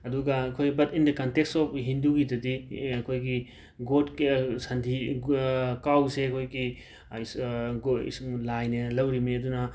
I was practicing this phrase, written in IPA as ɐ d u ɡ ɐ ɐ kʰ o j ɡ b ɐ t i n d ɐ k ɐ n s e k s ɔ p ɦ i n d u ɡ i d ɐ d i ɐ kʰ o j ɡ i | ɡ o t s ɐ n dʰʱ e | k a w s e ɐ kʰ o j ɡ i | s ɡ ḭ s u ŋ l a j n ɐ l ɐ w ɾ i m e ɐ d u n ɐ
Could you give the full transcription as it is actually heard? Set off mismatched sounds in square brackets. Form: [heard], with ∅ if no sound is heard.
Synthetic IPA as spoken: ɐ d u ɡ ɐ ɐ kʰ o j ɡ b ɐ t i n d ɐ k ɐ n [t] e k s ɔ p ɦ i n d u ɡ i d ɐ d i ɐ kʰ o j ɡ i | ɡ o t s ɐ n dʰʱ [i] | k a w s e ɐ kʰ o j ɡ i | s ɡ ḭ s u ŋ l a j n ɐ l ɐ w ɾ i m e ɐ d u n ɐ